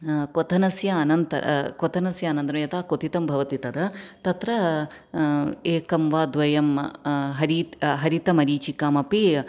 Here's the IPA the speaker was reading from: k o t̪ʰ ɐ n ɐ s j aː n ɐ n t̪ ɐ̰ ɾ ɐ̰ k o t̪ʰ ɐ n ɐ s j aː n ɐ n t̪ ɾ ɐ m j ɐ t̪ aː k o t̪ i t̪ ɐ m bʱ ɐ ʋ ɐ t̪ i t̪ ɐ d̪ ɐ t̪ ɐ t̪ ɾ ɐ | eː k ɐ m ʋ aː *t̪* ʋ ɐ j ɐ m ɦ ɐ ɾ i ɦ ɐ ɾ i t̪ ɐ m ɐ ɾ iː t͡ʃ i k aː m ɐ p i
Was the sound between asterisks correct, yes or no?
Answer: no